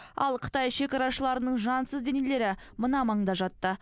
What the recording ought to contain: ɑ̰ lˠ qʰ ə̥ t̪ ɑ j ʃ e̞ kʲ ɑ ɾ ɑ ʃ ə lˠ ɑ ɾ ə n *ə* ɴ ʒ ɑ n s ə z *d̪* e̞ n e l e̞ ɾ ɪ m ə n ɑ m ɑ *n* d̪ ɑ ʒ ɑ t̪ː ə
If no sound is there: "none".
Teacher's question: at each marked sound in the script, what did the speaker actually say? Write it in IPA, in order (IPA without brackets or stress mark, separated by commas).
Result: ə, d̪, ɴ